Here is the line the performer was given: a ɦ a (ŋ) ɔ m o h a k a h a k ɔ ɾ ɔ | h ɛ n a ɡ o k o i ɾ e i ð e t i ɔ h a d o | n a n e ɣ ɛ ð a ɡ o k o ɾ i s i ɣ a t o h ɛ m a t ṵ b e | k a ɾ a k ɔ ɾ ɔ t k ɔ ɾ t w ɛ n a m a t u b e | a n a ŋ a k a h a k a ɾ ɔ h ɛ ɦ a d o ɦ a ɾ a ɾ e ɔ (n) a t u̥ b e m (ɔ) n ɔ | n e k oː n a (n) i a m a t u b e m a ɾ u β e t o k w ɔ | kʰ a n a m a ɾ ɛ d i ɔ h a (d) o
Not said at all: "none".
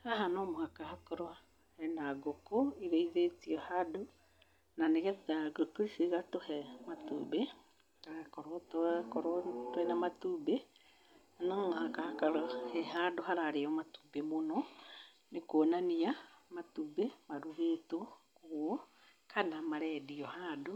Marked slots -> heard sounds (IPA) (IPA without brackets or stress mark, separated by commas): n, m, o, n, d